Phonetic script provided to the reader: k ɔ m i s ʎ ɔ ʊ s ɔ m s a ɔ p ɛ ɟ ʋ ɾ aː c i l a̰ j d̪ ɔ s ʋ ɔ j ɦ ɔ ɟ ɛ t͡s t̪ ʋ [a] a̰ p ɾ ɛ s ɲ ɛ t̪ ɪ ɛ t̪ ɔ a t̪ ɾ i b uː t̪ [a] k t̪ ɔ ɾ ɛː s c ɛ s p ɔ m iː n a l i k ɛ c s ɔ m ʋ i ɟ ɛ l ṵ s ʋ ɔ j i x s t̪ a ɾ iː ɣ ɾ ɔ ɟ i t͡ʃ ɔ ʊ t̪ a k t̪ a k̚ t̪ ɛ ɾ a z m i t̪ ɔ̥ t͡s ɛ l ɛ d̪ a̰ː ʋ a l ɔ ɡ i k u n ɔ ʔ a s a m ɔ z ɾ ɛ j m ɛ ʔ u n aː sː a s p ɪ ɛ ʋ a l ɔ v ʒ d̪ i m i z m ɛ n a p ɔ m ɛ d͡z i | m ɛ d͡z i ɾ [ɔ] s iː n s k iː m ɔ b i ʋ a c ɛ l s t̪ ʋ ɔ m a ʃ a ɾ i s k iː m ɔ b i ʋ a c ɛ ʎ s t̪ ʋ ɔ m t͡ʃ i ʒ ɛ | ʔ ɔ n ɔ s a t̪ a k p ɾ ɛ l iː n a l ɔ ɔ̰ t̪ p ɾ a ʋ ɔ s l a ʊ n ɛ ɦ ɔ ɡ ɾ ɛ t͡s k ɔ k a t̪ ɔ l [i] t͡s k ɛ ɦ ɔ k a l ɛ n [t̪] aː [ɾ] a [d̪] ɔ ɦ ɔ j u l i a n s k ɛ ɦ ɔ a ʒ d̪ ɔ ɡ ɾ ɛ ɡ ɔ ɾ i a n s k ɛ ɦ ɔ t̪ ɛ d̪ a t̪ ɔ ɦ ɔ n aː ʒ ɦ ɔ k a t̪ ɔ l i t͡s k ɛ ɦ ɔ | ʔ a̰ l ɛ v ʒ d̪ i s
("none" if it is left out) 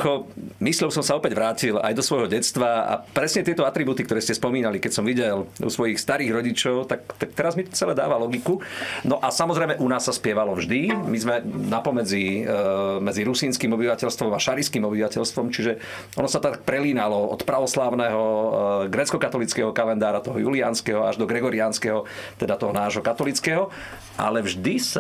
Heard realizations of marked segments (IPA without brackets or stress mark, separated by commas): a, i, u, i, d̪, ɾ, t̪